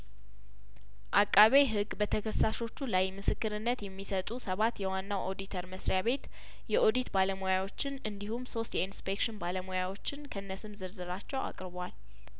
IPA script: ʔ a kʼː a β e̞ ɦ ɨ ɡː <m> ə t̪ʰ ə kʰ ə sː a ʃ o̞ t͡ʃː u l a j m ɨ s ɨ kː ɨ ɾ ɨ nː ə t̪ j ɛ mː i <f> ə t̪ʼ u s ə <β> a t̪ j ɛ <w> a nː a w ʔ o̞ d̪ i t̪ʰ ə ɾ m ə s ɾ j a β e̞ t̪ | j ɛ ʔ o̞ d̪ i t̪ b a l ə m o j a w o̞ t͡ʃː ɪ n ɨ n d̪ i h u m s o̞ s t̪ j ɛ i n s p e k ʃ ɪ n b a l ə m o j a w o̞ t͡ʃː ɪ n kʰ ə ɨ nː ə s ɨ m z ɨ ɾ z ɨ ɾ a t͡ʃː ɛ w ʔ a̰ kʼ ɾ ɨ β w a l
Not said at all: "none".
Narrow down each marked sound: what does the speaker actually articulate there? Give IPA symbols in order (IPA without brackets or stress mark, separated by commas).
b, s, β, w